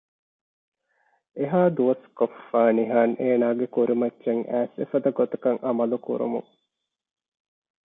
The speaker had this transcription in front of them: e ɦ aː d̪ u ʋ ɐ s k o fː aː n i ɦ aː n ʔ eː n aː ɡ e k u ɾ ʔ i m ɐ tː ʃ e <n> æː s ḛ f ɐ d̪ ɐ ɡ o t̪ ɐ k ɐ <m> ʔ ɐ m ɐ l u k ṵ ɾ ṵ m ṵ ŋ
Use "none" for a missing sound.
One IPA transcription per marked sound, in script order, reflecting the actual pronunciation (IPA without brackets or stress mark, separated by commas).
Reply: ŋ, ŋ